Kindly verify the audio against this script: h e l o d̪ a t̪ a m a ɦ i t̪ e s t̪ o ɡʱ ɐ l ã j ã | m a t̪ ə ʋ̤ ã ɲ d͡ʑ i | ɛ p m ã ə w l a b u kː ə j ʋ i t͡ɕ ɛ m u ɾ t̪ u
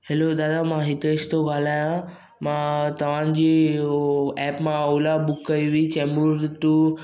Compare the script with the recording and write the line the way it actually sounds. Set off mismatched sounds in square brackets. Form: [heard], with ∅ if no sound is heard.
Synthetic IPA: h e l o d̪ a [d̪] a m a ɦ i t̪ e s t̪ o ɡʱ [a] l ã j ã | m a t̪ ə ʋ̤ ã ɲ d͡ʑ i | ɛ p m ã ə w l a b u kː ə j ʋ i t͡ɕ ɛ m u ɾ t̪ u